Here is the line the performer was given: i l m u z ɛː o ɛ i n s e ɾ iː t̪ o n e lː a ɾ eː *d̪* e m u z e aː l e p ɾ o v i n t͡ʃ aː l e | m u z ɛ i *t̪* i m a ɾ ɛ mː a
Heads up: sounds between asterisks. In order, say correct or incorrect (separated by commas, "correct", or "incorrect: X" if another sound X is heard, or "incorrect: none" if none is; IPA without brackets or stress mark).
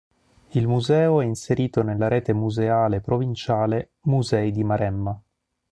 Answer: incorrect: t̪, incorrect: d̪